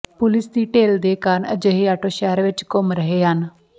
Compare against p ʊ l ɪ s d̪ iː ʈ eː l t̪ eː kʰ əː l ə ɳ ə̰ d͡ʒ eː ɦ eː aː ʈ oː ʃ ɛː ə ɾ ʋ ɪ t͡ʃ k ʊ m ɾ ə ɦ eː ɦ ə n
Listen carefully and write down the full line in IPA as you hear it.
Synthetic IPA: p ʊ l ɪ s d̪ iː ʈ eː l d̪ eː k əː ɾ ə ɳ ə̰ d͡ʒ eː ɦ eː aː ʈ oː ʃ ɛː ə ɾ ʋ ɪ t͡ʃ k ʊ m ɾ ə ɦ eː ɦ ə n